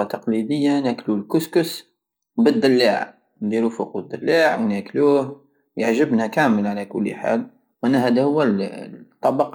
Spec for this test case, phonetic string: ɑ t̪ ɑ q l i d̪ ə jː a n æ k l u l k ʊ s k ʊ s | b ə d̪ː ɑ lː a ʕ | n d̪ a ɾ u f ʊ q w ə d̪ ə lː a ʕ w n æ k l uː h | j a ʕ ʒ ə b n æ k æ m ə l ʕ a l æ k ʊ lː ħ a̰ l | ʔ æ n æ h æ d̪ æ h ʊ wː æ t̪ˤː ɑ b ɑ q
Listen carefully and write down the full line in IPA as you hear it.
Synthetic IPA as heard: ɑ t̪ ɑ q l i d̪ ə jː a n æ k l u l k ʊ s k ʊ s | b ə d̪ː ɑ lː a ʕ | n d̪ i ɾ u f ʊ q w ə d̪ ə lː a ʕ w n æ k l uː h | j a ʕ ʒ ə b n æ k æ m ə l ʕ a l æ k ʊ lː ħ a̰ l | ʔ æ n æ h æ d̪ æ h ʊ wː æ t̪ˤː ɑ b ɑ q